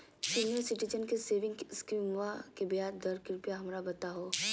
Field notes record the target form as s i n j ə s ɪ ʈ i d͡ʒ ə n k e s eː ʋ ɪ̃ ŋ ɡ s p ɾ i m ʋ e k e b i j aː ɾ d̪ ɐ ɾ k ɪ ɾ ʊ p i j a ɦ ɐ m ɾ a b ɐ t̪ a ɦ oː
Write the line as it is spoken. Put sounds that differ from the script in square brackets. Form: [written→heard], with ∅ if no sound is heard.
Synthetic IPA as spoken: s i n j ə s ɪ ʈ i d͡ʒ ə n k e s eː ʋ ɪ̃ ŋ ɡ s [p→k] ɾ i m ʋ [e→a] k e b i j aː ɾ d̪ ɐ ɾ k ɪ ɾ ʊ p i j a ɦ ɐ m ɾ a b ɐ t̪ a ɦ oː